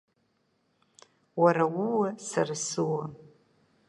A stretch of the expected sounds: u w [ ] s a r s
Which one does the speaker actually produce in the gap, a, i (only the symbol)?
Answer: a